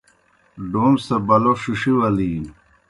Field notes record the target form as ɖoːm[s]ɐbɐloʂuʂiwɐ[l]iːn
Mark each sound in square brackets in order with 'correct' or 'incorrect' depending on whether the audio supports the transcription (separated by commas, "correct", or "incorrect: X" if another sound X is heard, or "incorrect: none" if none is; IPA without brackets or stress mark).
correct, correct